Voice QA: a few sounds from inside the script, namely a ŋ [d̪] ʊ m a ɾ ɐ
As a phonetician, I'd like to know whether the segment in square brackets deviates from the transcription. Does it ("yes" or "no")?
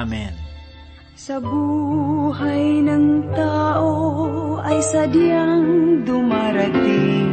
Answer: no